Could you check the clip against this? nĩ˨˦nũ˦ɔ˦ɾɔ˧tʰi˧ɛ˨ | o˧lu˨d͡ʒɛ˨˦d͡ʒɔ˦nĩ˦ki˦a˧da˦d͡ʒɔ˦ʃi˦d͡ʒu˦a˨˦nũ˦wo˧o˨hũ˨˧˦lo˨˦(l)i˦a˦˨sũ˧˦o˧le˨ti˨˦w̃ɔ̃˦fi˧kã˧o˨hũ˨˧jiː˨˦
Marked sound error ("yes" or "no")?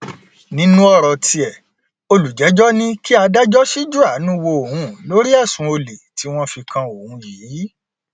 yes